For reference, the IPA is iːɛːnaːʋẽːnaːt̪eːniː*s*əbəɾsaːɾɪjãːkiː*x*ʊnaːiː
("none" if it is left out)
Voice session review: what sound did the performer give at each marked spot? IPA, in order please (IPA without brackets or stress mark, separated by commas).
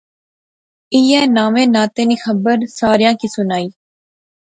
x, s